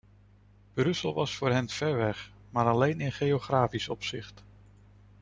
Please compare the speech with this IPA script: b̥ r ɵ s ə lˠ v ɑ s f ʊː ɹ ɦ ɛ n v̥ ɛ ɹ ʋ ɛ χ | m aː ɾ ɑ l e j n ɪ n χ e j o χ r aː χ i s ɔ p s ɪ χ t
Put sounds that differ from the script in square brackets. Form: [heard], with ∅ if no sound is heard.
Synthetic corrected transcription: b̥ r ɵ s ə lˠ [ʋ] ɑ s f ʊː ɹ ɦ ɛ n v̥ ɛ ɹ ʋ ɛ χ | m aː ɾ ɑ l e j n ɪ n χ e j o χ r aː [f] i s ɔ p s ɪ χ t